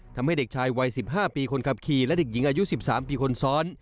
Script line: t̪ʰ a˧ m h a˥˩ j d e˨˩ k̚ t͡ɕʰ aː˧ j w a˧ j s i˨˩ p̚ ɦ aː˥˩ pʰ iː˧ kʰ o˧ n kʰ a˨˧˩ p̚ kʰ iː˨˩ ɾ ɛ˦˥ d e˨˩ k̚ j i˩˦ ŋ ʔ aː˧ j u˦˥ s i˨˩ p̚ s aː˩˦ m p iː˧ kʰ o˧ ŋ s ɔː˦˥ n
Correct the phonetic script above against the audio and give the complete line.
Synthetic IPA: t̪ʰ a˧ m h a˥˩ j d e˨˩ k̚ t͡ɕʰ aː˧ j w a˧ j s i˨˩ p̚ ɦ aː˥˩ p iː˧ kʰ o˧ n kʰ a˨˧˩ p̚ kʰ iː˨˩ l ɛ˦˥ d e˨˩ k̚ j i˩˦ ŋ ʔ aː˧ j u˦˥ s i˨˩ p̚ s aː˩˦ m p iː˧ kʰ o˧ n s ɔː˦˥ n